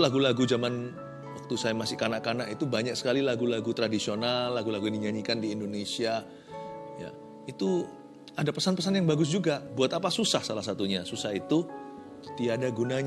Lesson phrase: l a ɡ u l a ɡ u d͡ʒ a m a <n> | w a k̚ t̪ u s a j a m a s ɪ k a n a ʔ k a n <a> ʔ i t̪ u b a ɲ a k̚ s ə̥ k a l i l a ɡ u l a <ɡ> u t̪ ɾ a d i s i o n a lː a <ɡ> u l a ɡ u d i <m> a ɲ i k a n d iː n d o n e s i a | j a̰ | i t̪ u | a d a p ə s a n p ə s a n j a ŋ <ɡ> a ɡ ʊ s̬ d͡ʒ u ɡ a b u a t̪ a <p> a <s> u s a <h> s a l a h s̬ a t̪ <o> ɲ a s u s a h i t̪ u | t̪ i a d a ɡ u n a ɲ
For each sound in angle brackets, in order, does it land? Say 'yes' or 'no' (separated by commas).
yes, yes, yes, yes, no, no, yes, yes, yes, no